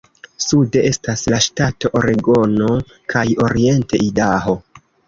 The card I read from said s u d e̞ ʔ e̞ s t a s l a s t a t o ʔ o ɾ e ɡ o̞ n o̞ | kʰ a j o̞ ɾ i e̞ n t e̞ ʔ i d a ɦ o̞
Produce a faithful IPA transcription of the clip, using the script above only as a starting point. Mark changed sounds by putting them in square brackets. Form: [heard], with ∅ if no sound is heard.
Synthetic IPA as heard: s u d e̞ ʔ e̞ s t a s l a [ʃ] t a t o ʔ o ɾ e ɡ o̞ n o̞ | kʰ a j o̞ ɾ i e̞ n t e̞ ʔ i d a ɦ o̞

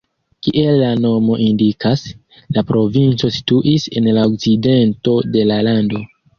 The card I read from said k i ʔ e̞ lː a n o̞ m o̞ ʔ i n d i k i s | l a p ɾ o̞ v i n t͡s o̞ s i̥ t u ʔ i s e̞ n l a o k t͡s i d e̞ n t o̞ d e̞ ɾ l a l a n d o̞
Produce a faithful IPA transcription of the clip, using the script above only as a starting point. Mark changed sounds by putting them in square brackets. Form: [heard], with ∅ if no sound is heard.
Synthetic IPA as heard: k i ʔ e̞ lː a n o̞ m o̞ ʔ i n d i k [a] s | l a p ɾ o̞ v i n t͡s o̞ s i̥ t u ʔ i s e̞ n l a o k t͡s i d e̞ n t o̞ d e̞ [∅] l a l a n d o̞

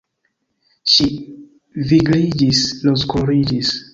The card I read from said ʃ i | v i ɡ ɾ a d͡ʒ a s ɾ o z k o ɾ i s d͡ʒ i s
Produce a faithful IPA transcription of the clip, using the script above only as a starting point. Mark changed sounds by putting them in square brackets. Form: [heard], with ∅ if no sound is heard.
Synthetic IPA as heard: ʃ i | v i ɡ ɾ [i] d͡ʒ [i] s [l] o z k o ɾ i [∅] d͡ʒ i s

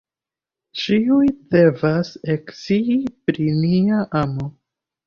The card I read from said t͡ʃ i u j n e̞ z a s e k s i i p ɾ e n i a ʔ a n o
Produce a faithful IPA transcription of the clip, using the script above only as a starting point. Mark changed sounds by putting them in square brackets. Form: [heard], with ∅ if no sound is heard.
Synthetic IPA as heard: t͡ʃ i u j [d] e̞ [v] a s e k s i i p ɾ [i] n i a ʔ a [m] o

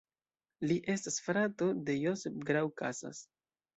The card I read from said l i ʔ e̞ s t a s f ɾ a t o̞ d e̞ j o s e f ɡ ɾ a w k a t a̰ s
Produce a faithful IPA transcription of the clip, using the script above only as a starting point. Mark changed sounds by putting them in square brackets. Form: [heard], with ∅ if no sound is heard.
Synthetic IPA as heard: l i ʔ e̞ s t a s f ɾ a t o̞ d e̞ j o s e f ɡ ɾ a w k a [s] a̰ s

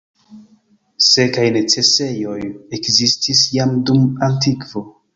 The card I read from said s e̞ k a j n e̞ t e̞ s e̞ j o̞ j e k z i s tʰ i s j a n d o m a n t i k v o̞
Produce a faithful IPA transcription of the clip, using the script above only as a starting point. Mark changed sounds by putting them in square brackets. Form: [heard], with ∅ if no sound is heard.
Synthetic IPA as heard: s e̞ k a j n e̞ [t͡s] e̞ s e̞ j o̞ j e k z i s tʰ i s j a [m] d [u] m a n t i k v o̞

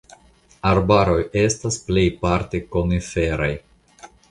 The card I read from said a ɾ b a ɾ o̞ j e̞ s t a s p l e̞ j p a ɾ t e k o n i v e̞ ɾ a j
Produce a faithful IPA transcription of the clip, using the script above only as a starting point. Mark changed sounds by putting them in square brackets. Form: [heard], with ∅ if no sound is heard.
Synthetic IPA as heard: a ɾ b a ɾ o̞ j e̞ s t a s p l e̞ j p a ɾ t e k o n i [f] e̞ ɾ a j

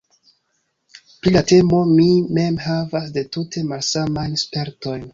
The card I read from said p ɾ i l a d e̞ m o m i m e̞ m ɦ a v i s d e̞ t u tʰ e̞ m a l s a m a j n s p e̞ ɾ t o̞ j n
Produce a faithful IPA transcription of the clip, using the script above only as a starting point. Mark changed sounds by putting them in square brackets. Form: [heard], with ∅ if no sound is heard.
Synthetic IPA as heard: p ɾ i l a [t] e̞ m o m i m e̞ m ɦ a v [a] s d e̞ t u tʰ e̞ m a l s a m a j n s p e̞ ɾ t o̞ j n

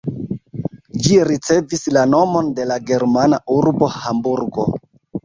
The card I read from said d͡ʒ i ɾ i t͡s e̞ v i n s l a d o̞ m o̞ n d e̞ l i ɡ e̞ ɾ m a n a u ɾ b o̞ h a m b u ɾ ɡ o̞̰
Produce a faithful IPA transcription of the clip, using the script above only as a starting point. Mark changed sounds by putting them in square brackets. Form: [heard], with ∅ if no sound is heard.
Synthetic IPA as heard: d͡ʒ i ɾ i t͡s e̞ v i [∅] s l a [n] o̞ m o̞ n d e̞ l [a] ɡ e̞ ɾ m a n a u ɾ b o̞ h a m b u ɾ ɡ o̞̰

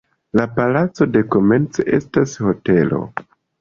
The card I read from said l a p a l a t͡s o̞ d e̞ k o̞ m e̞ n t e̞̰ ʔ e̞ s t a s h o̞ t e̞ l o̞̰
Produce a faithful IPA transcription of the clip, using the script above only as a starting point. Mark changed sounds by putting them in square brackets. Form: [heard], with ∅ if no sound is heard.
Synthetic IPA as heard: l a p a l a t͡s o̞ d e̞ k o̞ m e̞ n [t͡s] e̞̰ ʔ e̞ s t a s h o̞ t e̞ l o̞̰

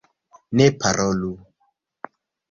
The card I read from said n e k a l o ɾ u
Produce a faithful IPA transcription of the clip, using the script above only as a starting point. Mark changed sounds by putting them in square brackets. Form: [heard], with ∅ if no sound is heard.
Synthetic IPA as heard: n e [p] a [ɾ] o [l] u

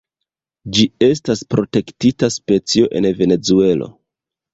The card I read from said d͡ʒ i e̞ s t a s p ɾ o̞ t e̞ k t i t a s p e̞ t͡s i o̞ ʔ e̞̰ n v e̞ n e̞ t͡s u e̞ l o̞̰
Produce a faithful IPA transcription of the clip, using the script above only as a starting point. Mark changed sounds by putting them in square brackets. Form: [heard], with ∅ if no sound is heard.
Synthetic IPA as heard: d͡ʒ i e̞ s t a s p ɾ o̞ t e̞ k t i t a s p e̞ t͡s i o̞ ʔ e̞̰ n v e̞ n e̞ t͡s u e̞ l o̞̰

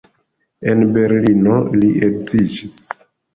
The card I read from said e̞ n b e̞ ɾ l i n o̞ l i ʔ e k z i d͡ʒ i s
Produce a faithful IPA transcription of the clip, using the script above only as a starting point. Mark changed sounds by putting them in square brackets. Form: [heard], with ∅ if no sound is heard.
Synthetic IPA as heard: e̞ n b e̞ ɾ l i n o̞ l i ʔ e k z i d͡ʒ i s

